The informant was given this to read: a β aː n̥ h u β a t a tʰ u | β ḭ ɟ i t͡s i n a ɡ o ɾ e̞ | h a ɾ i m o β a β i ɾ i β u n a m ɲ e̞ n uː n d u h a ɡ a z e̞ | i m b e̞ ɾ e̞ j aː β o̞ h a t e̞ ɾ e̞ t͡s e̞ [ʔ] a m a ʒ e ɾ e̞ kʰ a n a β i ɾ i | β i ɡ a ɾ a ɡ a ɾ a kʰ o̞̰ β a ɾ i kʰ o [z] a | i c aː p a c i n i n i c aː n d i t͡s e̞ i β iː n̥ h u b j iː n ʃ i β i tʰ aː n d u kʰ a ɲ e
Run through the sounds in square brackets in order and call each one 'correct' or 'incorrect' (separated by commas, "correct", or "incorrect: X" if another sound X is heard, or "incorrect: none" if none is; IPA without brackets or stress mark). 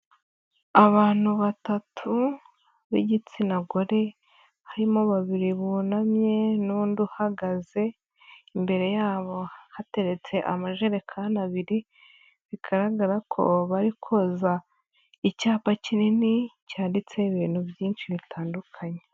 correct, correct